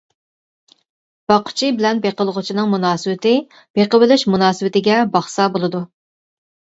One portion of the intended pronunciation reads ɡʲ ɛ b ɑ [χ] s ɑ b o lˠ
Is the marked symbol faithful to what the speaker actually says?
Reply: yes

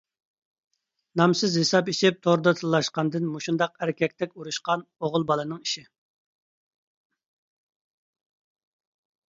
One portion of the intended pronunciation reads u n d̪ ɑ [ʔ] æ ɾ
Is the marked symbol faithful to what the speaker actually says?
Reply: no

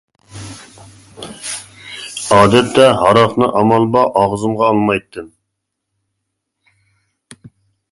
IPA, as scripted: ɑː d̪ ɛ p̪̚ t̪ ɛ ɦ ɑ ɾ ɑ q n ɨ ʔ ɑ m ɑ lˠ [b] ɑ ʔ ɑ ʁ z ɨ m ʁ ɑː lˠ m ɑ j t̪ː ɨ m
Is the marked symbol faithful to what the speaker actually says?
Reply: yes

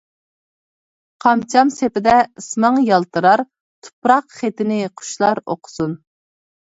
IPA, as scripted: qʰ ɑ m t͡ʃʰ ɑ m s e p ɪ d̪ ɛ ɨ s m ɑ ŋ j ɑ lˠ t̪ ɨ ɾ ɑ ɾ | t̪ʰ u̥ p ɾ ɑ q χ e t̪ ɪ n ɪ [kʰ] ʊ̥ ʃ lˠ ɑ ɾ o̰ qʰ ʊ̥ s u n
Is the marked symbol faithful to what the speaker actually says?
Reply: no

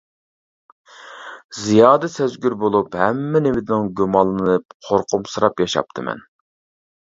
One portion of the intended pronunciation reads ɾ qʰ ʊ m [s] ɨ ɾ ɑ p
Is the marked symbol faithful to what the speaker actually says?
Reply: yes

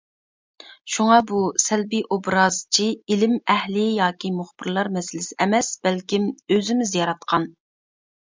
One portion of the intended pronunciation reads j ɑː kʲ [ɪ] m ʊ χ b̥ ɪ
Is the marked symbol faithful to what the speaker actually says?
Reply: no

